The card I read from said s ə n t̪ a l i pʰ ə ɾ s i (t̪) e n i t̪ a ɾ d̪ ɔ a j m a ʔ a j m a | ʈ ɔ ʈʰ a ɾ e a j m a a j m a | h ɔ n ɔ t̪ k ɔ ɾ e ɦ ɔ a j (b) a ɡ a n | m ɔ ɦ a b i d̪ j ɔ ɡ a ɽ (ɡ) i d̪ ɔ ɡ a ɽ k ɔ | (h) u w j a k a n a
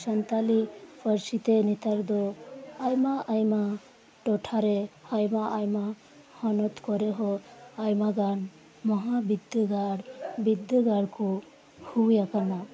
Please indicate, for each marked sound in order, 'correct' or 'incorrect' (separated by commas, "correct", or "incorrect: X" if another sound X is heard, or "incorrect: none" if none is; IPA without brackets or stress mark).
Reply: correct, incorrect: m, incorrect: b, correct